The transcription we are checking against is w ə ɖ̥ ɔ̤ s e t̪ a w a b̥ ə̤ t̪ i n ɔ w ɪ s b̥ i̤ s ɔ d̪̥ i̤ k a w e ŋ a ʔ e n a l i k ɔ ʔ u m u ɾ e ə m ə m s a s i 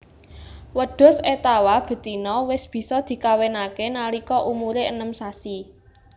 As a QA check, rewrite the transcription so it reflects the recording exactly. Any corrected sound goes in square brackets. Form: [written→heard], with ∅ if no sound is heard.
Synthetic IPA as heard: w ə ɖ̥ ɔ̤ s e t̪ a w a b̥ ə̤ t̪ i n ɔ w ɪ s b̥ i̤ s ɔ d̪̥ i̤ k a w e [ŋ→n] a [ʔ→k] e n a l i k ɔ ʔ u m u ɾ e ə [m→n] ə m s a s i